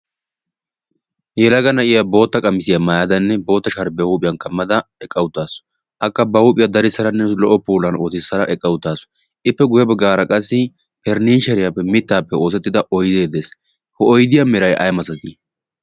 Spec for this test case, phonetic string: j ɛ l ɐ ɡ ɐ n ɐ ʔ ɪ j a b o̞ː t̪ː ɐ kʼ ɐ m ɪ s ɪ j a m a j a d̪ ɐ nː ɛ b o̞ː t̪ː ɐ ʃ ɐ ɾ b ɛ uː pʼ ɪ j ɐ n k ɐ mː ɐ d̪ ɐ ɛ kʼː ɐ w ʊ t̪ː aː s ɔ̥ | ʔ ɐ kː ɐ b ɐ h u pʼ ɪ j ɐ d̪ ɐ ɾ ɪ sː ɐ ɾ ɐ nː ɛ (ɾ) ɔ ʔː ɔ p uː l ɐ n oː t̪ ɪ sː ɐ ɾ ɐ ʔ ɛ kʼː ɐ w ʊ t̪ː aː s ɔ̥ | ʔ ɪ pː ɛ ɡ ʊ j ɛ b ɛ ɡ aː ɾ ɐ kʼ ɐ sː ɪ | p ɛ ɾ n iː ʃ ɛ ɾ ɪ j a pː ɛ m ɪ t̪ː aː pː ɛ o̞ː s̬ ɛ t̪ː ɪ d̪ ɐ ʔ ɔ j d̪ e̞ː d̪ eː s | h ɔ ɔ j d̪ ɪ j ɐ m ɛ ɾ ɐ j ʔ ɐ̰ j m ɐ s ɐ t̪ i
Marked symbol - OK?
no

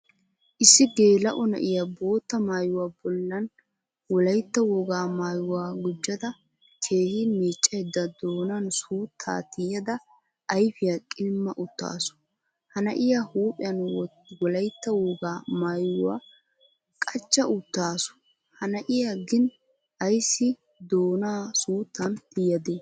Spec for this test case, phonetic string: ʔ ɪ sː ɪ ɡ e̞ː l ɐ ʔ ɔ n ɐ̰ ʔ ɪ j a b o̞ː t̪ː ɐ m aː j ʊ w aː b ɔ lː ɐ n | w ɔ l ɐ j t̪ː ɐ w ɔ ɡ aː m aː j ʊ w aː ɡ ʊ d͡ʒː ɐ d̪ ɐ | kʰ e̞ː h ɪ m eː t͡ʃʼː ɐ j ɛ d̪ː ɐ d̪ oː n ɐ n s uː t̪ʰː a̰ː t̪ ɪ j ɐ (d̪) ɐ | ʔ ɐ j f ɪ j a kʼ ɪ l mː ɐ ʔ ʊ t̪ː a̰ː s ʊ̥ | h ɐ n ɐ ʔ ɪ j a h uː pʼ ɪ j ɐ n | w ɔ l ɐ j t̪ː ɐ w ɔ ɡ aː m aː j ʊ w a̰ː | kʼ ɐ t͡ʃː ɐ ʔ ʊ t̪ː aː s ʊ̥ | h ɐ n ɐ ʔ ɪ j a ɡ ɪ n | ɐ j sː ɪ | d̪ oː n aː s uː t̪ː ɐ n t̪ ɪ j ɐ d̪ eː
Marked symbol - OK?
yes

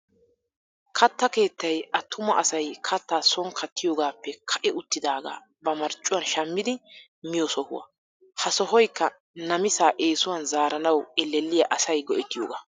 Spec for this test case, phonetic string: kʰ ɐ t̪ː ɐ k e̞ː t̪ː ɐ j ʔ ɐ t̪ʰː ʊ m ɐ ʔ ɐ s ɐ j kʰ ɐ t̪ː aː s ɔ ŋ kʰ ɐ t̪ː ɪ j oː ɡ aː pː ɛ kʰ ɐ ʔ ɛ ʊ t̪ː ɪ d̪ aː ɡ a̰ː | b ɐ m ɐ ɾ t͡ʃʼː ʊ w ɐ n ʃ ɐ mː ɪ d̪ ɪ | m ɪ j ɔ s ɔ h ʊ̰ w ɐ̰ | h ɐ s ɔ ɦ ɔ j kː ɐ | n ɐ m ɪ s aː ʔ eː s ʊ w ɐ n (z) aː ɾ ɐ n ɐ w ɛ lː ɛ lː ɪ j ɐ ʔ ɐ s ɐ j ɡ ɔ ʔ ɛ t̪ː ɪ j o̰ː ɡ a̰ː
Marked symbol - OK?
yes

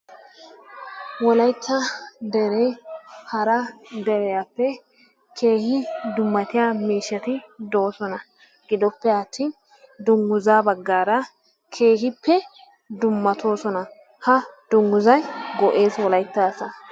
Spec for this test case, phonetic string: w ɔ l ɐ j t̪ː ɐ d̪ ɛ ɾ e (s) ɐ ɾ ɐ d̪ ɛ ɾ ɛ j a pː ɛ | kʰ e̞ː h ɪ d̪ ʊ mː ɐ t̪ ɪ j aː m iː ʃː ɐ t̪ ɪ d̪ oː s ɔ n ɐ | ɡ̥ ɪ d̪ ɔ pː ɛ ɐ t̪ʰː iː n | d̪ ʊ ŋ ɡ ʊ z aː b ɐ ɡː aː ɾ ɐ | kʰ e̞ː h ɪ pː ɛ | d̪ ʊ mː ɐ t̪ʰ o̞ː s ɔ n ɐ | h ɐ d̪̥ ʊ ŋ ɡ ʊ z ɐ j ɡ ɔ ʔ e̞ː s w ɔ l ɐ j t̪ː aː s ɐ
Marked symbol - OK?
no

